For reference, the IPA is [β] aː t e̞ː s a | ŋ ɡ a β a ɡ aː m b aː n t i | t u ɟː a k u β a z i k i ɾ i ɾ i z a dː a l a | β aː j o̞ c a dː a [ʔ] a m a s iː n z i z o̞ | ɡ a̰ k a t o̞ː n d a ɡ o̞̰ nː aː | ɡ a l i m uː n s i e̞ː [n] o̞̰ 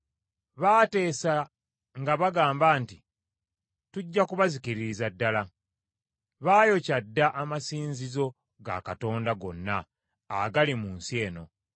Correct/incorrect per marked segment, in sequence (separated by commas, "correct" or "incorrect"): correct, correct, correct